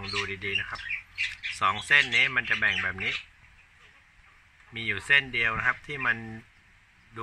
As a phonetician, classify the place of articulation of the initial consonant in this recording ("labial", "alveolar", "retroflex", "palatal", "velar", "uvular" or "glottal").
velar